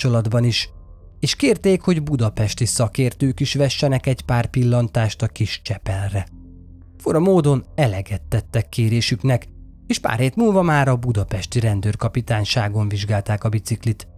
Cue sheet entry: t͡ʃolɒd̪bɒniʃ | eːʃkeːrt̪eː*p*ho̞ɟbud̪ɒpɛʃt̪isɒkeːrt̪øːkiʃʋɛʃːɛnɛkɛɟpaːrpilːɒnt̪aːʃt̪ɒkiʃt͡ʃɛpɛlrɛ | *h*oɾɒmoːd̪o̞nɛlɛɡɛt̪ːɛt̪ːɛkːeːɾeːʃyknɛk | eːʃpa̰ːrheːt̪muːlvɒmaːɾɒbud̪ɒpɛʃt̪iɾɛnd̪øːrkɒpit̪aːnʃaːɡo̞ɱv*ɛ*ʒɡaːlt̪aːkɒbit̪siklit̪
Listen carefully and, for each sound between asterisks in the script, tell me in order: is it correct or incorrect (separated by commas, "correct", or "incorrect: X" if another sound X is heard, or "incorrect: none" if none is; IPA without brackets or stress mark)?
incorrect: k, incorrect: f, incorrect: i